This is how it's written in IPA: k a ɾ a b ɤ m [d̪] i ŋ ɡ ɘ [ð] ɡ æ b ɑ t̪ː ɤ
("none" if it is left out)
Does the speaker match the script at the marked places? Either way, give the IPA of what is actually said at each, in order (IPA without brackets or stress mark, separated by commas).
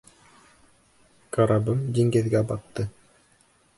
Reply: d̪, ð